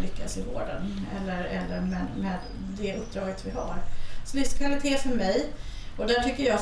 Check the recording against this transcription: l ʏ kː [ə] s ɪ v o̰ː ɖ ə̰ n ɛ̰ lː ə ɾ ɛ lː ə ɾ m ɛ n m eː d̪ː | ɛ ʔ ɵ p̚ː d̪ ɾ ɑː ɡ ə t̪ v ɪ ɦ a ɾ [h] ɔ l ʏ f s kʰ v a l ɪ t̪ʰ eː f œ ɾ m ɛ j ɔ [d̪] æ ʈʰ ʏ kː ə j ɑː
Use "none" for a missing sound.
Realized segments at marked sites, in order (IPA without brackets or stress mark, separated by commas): a, s, d̪